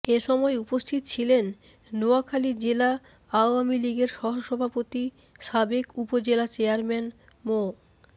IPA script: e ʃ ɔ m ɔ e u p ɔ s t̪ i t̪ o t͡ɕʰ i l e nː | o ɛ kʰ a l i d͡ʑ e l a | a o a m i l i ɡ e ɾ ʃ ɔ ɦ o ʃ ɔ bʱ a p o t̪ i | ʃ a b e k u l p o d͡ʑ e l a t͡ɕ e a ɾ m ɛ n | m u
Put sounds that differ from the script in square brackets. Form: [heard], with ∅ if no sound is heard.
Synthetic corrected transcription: e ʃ ɔ m ɔ e u p [o] s [t̪ʰ] i t̪ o t͡ɕʰ i l e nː | o [a] kʰ a l i d͡ʑ e l a | a o a m i l i ɡ e ɾ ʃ ɔ ɦ o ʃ ɔ bʱ a p o t̪ i | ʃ a b e k u [∅] p o d͡ʑ e l a t͡ɕ e a ɾ m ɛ n | m [o]